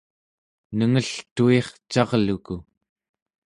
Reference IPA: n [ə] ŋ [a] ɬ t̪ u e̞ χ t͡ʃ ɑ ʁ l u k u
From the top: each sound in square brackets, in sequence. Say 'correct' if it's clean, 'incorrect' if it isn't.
correct, incorrect

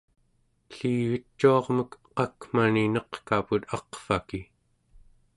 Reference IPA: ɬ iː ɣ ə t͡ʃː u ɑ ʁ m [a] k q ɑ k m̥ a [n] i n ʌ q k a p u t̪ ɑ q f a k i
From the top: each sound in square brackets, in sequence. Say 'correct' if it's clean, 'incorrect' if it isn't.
incorrect, correct

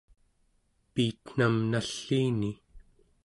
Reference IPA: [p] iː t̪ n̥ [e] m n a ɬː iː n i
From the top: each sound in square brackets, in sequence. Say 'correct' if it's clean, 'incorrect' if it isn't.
correct, incorrect

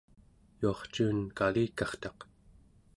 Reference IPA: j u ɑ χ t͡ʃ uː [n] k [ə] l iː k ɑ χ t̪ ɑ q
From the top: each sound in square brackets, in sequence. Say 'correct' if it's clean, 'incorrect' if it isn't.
correct, incorrect

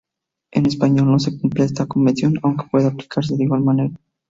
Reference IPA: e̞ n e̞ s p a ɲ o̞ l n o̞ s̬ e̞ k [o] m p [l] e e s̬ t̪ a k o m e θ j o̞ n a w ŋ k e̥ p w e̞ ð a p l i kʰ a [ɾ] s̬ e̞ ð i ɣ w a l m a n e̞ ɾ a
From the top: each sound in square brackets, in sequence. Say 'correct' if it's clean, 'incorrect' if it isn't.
incorrect, correct, correct

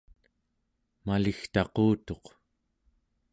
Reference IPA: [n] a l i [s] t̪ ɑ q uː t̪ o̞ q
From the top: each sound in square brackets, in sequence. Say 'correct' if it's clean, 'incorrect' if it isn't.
incorrect, incorrect

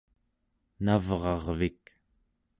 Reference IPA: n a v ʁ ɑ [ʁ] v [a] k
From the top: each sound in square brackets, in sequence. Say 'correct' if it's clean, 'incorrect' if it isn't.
correct, incorrect

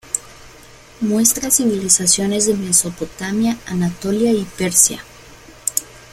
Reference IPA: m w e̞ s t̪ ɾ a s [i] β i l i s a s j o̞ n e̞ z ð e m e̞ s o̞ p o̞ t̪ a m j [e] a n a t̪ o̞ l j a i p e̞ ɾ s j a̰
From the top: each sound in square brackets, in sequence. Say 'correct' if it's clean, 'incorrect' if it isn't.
correct, incorrect

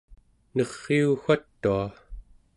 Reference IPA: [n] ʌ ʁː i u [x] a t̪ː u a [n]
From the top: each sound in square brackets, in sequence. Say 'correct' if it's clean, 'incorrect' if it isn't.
correct, correct, incorrect

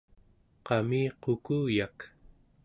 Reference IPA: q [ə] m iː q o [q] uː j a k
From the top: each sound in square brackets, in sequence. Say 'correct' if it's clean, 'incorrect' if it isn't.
incorrect, incorrect

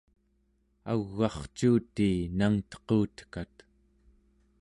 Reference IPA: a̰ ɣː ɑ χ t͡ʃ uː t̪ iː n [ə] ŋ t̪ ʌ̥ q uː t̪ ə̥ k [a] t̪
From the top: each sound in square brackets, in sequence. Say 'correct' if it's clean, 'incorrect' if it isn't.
incorrect, correct

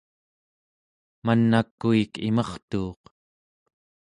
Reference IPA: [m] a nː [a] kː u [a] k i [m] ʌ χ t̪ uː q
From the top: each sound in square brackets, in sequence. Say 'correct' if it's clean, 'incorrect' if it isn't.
correct, correct, incorrect, correct

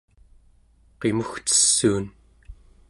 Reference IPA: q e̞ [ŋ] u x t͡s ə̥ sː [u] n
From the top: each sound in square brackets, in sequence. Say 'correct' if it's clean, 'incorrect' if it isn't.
incorrect, incorrect

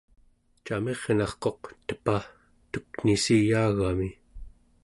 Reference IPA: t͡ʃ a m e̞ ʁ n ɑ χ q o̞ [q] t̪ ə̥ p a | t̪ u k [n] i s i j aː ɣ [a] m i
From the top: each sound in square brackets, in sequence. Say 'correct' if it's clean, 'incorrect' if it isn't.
correct, correct, correct

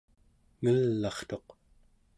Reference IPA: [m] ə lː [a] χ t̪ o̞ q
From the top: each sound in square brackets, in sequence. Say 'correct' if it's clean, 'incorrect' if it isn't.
incorrect, incorrect

